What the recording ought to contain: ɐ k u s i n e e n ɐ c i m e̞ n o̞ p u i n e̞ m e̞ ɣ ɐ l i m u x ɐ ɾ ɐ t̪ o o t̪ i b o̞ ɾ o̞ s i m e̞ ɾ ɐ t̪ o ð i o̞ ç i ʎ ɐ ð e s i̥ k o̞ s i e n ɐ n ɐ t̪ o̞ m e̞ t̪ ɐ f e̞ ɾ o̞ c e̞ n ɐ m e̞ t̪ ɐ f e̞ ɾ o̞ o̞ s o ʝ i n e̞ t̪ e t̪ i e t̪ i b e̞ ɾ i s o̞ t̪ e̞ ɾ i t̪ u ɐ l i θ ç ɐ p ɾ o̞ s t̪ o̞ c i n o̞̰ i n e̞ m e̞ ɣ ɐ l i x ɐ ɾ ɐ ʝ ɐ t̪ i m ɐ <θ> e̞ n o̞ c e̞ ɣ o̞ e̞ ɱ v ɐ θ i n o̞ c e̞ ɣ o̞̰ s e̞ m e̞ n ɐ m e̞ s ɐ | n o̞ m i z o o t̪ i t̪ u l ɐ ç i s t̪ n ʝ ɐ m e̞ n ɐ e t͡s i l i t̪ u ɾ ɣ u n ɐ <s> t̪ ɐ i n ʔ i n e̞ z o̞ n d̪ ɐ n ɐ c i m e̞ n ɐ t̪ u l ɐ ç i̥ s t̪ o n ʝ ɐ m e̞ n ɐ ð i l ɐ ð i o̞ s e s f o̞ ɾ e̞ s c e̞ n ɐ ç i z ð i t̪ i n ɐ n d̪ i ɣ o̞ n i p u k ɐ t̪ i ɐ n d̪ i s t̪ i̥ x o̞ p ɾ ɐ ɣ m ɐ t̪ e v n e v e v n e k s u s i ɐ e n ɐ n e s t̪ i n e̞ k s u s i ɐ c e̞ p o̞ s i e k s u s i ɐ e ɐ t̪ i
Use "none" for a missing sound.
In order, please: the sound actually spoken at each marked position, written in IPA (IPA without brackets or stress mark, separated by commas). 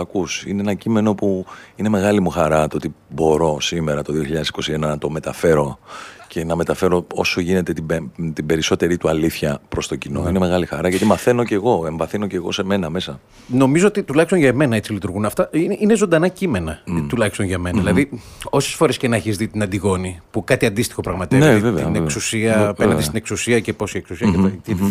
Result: θ, f